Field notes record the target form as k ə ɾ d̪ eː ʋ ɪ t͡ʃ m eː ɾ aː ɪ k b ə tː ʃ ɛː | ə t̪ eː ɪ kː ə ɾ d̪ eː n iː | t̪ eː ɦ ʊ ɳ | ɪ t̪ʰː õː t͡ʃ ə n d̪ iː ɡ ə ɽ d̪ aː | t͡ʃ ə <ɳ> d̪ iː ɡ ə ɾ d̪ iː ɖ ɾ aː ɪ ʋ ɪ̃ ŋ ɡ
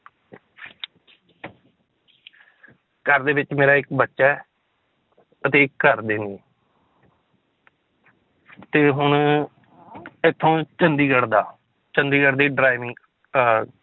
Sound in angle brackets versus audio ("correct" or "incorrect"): incorrect